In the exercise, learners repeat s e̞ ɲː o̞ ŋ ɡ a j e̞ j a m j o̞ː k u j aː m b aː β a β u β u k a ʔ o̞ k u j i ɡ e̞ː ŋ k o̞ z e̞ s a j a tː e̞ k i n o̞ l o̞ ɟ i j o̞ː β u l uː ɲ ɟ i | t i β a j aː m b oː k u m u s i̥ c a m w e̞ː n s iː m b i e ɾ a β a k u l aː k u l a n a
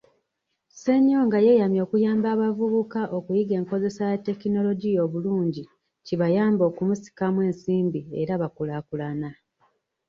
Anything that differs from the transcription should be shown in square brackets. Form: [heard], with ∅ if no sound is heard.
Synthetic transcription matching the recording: s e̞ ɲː o̞ ŋ ɡ a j e̞ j a m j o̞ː k u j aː m b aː β a [v] u β u k a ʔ o̞ k u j i ɡ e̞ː ŋ k o̞ z e̞ s a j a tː e̞ k i n o̞ l o̞ ɟ i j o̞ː β u l uː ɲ ɟ i | [c] i β a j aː m b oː k u m u s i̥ [k] a m w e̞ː n s iː m b i e ɾ a β a k u l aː k u l a n a